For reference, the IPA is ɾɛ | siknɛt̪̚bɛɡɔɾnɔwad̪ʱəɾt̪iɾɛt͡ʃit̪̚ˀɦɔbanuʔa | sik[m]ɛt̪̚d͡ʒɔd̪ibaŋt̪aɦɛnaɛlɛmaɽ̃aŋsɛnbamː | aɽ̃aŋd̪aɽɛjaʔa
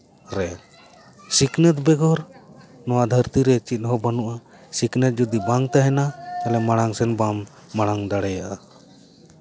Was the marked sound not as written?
yes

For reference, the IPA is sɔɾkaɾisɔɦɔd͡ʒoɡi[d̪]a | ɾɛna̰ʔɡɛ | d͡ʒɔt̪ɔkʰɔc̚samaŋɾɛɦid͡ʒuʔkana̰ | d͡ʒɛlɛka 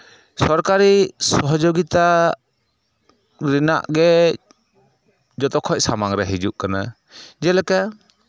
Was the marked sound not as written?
yes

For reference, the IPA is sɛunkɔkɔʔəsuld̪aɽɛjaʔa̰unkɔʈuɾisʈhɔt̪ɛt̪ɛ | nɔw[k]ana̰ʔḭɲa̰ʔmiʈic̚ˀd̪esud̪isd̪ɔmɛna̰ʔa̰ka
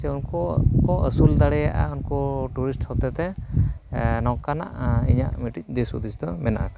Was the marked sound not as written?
no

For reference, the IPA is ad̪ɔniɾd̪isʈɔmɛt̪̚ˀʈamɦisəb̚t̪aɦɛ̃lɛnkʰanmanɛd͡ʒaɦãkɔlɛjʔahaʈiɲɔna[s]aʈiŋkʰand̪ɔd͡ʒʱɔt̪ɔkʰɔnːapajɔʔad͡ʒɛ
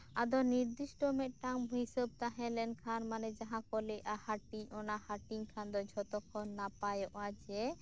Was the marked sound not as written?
yes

